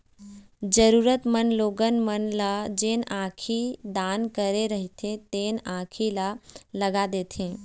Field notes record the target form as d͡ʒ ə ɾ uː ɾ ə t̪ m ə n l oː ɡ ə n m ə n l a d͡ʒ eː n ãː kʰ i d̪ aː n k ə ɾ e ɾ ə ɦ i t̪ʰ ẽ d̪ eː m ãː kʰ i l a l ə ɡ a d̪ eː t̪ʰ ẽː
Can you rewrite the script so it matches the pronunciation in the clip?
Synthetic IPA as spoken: d͡ʒ ə ɾ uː ɾ ə t̪ m ə n l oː ɡ ə n m ə n l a d͡ʒ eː n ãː kʰ i d̪ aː n k ə ɾ e ɾ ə ɦ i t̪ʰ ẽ t̪ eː n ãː kʰ i l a l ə ɡ a d̪ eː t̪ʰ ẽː